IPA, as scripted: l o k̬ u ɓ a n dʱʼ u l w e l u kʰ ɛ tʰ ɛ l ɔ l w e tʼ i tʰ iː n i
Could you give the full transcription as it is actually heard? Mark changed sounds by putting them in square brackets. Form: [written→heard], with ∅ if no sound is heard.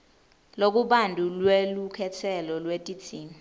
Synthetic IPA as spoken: l o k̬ u ɓ a n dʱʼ u l w e l u kʰ ɛ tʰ ɛ l ɔ l w e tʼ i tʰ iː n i

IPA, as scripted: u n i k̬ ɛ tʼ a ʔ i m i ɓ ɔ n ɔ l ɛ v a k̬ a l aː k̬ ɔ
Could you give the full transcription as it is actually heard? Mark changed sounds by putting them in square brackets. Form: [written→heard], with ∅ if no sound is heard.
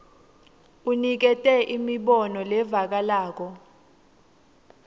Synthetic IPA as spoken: u n i k̬ ɛ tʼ [a→ɛ] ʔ i m i ɓ ɔ n ɔ l ɛ v a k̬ a l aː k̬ ɔ

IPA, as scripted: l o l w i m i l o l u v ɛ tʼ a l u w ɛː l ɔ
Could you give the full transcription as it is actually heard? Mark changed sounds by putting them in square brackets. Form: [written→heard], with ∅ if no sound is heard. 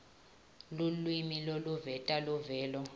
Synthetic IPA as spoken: l [o→u] l w i m i l o l u v ɛ tʼ a l u [w→v] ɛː l ɔ

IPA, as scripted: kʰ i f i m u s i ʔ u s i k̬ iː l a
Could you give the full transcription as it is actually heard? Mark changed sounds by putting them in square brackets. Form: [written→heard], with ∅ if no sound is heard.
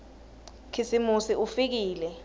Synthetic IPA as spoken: kʰ i [f→s] i m u s i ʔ u [s→f] i k̬ iː l [a→ɛ]

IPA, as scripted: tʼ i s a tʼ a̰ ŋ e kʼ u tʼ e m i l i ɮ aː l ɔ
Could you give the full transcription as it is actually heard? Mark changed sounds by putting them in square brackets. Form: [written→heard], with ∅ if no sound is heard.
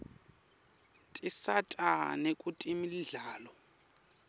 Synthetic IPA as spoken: tʼ i s a tʼ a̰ [ŋ→n] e kʼ u tʼ [e→i] m i l i ɮ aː l ɔ

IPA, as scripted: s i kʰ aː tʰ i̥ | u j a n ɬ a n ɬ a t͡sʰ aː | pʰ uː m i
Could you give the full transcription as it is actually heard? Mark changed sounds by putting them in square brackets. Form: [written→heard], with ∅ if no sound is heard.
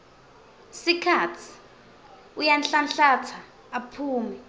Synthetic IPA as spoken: s i kʰ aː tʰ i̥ | u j a n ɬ a n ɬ a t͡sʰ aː | pʰ uː m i

